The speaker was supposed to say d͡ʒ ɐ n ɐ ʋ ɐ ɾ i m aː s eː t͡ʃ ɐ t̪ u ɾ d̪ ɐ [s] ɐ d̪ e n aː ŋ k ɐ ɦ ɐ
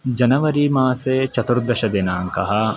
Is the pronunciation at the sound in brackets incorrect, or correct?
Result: incorrect